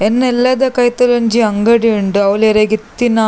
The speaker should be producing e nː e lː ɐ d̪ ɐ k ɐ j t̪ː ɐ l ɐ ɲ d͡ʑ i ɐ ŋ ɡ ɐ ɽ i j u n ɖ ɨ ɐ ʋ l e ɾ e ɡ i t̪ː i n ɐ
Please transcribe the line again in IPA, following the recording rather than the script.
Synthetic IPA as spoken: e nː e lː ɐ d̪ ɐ k ɐ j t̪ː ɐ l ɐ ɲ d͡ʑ i ɐ ŋ ɡ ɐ ɽ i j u ɳ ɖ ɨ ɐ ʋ l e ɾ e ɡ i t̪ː i n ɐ